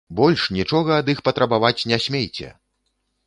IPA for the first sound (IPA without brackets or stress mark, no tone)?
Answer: b